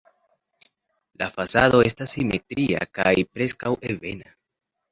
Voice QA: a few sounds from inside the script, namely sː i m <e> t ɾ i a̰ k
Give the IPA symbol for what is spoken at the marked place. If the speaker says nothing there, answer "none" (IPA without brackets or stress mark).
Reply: e